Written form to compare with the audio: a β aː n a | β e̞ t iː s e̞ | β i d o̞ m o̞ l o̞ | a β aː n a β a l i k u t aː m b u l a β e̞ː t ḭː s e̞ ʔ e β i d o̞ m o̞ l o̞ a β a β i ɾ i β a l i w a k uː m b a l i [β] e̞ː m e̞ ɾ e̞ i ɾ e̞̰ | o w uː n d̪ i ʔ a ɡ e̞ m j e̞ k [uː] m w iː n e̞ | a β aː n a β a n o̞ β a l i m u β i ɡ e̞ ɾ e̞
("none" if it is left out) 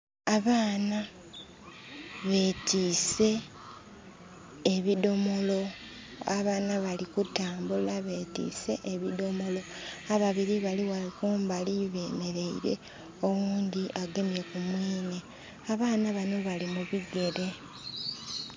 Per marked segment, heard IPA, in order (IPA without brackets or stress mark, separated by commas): β, u